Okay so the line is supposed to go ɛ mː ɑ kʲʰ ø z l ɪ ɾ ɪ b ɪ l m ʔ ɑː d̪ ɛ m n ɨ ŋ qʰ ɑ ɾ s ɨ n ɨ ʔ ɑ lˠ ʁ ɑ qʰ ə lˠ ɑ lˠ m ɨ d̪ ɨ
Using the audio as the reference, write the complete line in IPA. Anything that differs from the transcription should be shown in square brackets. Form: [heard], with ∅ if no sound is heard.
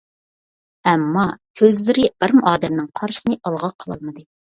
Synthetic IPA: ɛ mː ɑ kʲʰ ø z l ɪ ɾ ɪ b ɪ [ɾ] m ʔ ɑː d̪ ɛ m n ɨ ŋ qʰ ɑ ɾ s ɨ n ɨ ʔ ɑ lˠ ʁ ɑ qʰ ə lˠ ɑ lˠ m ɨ d̪ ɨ